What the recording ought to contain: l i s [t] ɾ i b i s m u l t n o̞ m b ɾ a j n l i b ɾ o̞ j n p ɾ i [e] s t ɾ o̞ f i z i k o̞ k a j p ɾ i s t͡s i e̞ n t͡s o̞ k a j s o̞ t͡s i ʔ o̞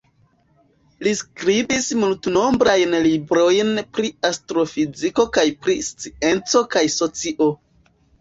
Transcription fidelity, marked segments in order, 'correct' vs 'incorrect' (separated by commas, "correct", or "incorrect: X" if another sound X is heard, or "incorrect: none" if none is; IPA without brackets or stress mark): incorrect: k, incorrect: a